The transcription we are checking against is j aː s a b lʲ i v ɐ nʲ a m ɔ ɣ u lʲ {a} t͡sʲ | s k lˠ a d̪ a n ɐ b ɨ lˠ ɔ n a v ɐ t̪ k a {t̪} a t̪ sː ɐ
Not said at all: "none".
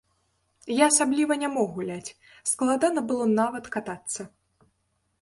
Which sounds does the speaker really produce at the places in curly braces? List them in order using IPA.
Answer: a, t̪

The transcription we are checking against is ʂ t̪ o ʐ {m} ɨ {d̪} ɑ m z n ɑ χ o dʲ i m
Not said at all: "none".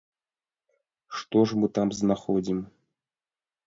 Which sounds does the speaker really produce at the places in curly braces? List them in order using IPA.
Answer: m, t̪

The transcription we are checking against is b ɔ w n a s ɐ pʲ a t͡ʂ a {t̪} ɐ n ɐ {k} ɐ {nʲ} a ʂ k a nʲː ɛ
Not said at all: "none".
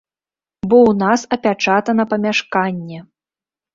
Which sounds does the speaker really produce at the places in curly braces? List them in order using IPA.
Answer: t̪, p, mʲ

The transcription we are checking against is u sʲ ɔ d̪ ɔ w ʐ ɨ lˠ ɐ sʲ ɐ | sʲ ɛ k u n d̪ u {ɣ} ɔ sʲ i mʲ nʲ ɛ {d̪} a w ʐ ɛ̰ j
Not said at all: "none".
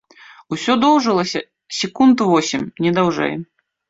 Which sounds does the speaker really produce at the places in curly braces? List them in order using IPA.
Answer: v, d̪

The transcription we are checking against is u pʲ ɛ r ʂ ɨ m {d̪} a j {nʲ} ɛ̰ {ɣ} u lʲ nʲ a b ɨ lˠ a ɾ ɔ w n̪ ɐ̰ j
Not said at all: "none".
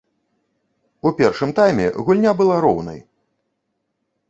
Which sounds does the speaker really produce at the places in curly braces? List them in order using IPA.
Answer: t̪, mʲ, ɣ

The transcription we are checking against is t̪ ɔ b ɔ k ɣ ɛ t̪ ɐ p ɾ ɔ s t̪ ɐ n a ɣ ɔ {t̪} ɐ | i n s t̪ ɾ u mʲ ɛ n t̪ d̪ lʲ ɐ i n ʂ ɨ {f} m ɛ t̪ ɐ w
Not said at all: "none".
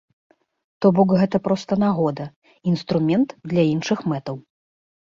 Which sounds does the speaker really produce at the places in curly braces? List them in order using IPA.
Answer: d̪, x

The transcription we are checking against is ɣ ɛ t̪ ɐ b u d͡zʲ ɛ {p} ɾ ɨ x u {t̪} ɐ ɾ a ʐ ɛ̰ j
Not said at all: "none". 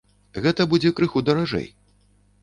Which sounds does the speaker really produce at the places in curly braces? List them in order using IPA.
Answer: k, d̪

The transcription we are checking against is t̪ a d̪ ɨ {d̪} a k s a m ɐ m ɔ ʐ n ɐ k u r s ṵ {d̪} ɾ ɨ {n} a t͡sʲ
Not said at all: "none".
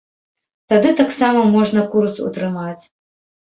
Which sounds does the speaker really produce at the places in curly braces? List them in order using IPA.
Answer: t̪, t̪, m

